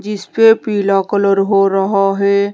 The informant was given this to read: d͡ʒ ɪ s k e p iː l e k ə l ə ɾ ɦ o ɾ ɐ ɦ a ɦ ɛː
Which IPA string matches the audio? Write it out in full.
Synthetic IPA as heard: d͡ʒ ɪ s p e p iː l a k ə l ə ɾ ɦ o ɾ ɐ ɦ a ɦ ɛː